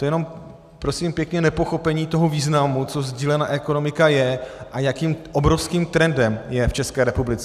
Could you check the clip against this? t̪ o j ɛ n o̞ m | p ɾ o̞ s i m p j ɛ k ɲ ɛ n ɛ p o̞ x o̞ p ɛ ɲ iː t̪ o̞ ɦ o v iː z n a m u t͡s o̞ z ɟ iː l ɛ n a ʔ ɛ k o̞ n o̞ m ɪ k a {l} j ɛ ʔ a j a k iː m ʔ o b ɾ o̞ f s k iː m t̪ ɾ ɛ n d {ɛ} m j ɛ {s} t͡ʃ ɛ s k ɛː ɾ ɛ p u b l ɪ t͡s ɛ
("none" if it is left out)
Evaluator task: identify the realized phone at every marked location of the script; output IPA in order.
none, ɛ, f

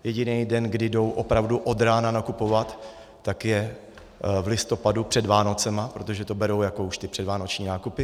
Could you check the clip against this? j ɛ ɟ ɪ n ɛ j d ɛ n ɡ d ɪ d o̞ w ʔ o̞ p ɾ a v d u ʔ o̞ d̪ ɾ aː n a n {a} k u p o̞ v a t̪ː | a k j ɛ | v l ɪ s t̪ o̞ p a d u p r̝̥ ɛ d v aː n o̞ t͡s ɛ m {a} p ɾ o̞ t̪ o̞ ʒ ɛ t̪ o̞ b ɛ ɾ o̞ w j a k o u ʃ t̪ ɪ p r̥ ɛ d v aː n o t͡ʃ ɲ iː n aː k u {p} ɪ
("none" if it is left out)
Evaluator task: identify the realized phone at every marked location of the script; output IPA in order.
a, a, p

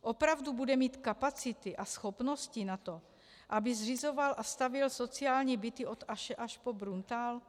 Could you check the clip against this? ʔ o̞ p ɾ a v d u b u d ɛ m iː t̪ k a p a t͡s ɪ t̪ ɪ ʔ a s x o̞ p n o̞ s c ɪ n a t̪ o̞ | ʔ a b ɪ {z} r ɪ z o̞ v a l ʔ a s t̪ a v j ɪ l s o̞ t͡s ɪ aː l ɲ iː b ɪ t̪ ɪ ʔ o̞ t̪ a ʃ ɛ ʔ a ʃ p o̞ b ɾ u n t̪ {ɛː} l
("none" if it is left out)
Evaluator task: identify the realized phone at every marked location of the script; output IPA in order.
z, aː

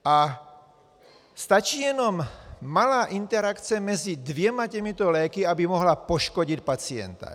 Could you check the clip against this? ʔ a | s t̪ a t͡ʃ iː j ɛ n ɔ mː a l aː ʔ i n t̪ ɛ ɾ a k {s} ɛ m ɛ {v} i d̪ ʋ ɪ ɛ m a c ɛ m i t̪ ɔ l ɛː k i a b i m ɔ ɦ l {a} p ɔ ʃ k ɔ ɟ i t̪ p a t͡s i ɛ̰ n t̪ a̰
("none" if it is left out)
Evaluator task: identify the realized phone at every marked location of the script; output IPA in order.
t͡s, z, a

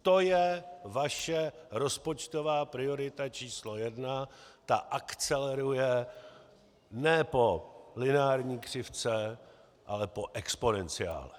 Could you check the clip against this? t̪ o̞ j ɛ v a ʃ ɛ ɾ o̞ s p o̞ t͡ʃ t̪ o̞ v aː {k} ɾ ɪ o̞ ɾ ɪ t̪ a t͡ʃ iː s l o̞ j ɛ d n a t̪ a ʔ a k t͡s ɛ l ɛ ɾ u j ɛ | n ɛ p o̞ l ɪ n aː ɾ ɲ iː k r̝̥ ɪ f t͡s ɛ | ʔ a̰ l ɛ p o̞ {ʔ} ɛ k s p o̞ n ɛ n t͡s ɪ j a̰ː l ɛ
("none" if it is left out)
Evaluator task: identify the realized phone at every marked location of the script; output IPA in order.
p, ʔ

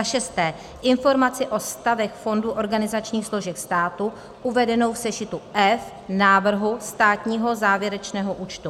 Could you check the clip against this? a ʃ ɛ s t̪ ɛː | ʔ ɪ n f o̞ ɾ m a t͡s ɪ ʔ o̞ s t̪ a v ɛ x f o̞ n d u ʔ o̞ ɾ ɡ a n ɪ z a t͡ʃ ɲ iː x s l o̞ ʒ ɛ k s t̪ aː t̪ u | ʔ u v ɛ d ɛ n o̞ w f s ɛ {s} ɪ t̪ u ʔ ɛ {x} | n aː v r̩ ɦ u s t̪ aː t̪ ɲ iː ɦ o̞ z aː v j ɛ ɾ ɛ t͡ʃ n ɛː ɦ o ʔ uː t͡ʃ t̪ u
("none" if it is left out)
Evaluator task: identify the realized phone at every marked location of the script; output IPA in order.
ʃ, f

